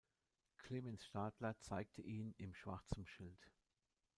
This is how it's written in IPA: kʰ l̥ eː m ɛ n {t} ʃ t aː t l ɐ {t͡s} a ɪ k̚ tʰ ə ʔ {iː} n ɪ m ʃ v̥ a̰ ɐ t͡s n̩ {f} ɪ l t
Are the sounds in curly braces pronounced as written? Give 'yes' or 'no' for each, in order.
no, yes, yes, no

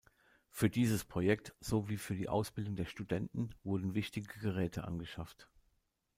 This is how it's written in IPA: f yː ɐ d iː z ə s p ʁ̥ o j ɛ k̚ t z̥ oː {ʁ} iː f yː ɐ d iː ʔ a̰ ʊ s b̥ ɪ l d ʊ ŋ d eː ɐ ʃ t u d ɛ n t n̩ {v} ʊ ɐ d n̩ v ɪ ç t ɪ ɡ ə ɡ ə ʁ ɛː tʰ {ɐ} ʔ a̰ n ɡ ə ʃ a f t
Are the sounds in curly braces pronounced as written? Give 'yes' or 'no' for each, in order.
no, yes, no

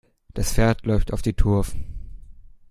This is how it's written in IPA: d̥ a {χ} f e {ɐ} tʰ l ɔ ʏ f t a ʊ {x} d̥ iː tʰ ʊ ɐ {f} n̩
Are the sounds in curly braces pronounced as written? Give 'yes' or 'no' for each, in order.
no, yes, no, yes

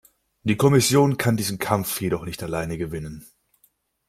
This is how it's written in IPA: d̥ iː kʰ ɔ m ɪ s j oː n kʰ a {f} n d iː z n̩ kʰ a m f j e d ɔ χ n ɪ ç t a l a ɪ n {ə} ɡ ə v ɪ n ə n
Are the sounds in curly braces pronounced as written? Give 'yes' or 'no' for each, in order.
no, yes

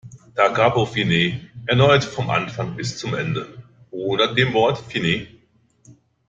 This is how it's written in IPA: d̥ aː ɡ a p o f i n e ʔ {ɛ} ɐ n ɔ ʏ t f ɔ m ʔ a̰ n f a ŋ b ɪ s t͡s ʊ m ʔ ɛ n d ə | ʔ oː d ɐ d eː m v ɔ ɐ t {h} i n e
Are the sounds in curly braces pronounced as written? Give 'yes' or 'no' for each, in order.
yes, no

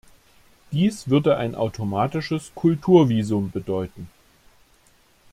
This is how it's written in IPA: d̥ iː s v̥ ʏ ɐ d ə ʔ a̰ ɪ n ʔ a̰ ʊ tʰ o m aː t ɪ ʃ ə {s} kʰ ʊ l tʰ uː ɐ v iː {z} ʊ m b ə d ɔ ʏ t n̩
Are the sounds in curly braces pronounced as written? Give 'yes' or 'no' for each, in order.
yes, yes

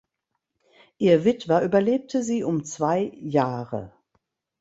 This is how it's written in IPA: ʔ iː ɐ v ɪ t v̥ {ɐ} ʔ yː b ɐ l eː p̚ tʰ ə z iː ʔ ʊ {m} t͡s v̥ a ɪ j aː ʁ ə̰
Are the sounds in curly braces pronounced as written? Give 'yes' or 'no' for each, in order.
yes, yes

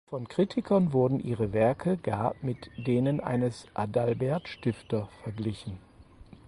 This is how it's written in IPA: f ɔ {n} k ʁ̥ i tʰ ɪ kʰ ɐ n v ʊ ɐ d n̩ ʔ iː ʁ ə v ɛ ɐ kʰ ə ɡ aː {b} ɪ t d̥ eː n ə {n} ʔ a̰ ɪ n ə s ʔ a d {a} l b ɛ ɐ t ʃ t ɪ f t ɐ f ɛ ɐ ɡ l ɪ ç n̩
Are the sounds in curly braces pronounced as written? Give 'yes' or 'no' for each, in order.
yes, no, yes, yes

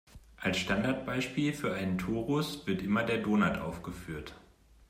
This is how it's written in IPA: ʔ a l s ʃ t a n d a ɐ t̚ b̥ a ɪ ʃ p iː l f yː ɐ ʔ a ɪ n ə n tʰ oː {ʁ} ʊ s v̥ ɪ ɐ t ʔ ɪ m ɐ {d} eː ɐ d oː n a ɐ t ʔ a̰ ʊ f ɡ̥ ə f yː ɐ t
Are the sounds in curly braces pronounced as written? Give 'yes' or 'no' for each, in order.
yes, yes

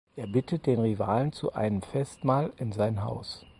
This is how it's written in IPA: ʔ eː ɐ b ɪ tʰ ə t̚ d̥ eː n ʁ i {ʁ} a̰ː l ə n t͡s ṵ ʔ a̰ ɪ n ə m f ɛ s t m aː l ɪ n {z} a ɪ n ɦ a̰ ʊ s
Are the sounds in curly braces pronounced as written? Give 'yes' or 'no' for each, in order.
no, yes

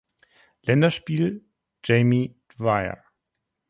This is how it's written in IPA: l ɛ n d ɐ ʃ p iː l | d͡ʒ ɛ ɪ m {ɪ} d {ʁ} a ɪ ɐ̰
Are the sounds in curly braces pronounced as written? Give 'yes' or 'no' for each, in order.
no, no

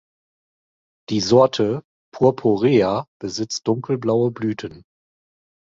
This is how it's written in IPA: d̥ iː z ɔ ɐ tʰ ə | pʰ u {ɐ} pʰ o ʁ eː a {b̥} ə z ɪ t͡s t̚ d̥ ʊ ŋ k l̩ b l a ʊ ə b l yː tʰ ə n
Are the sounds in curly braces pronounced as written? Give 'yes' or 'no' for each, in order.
yes, yes

